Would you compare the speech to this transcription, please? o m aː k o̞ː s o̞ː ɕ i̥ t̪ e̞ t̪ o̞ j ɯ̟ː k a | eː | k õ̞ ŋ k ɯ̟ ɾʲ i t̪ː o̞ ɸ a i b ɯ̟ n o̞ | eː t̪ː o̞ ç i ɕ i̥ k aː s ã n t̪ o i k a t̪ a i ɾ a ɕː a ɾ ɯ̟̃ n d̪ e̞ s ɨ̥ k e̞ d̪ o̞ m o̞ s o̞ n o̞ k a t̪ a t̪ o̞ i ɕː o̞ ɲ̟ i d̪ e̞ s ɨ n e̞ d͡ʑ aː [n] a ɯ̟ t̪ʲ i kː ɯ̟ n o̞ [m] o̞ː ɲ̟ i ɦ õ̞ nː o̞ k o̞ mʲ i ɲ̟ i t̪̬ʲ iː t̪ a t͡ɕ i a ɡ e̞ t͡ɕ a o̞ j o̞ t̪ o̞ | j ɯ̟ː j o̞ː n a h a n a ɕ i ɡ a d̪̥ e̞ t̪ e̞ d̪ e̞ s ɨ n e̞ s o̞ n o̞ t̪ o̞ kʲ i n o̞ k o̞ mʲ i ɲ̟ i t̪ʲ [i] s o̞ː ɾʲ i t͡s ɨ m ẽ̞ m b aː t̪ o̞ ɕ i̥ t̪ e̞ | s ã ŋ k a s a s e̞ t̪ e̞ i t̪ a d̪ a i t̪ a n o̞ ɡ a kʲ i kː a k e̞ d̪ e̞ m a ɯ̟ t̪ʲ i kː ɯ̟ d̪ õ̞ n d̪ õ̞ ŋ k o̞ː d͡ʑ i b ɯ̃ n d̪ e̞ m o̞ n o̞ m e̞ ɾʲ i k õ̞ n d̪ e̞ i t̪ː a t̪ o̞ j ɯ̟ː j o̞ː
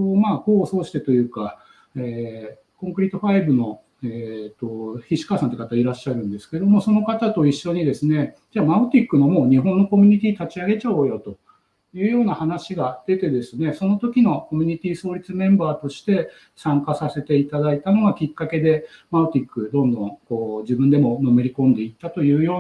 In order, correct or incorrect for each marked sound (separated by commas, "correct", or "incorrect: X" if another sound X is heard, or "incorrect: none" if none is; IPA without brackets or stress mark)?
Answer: incorrect: m, correct, incorrect: iː